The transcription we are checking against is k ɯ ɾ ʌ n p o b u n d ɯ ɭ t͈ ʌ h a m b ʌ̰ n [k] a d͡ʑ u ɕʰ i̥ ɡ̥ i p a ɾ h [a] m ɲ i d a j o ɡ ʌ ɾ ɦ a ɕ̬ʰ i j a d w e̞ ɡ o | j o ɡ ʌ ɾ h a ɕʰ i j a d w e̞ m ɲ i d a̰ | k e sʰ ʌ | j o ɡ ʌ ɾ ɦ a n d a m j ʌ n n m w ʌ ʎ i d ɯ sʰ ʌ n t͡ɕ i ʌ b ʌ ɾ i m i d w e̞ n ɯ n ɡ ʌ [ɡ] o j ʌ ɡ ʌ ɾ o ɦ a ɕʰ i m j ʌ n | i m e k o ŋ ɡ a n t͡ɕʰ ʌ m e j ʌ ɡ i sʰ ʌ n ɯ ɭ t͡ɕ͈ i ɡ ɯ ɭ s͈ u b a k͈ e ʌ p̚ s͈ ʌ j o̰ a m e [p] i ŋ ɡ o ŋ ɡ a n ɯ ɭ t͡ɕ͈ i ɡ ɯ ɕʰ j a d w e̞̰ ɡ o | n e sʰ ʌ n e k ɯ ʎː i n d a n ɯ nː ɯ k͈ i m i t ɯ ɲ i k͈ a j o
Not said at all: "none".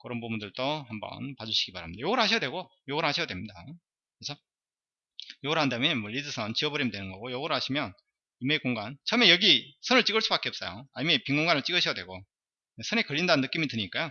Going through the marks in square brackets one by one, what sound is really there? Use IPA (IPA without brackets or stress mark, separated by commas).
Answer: p, a, ɡ, p